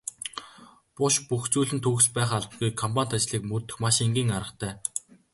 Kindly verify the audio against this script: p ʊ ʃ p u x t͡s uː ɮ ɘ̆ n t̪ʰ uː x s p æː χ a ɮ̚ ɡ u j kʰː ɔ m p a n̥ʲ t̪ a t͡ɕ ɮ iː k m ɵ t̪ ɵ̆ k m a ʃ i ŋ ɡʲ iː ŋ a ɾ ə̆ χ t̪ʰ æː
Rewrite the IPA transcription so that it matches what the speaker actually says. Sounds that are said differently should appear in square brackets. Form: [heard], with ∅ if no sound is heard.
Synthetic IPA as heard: p ʊ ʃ p u x t͡s uː ɮ ɘ̆ n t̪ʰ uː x s p æː χ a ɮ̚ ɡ u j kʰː ɔ m p a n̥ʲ t̪ a t͡ɕ ɮ iː k m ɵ t̪ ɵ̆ [x] m a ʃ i ŋ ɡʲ iː ŋ a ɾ ə̆ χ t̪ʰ æː